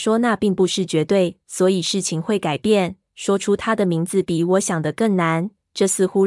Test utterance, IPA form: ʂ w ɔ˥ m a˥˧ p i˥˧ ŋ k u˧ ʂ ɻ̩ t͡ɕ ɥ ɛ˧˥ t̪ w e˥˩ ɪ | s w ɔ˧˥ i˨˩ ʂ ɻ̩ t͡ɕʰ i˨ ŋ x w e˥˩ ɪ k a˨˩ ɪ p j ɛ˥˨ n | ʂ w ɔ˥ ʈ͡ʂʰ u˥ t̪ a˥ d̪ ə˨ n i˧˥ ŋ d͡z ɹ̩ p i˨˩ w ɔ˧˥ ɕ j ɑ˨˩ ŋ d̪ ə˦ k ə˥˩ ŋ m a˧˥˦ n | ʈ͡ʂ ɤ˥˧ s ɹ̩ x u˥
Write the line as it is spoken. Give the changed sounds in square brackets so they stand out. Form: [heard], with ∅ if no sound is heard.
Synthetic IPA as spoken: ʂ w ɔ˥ [n] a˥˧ p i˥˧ ŋ [p] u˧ ʂ ɻ̩ t͡ɕ ɥ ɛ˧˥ t̪ w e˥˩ ɪ | s w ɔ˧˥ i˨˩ ʂ ɻ̩ t͡ɕʰ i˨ ŋ x w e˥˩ ɪ k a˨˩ ɪ p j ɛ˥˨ n | ʂ w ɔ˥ ʈ͡ʂʰ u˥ [t̪ʰ] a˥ d̪ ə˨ [m] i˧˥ ŋ d͡z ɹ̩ p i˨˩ w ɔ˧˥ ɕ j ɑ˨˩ ŋ d̪ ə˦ k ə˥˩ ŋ [n] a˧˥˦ n | ʈ͡ʂ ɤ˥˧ s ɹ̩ x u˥